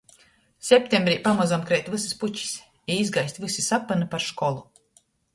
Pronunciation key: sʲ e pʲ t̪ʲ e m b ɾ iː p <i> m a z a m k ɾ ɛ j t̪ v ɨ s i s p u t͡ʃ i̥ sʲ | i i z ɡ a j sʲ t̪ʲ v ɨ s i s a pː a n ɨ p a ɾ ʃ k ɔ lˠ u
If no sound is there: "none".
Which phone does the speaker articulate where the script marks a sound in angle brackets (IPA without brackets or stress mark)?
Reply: a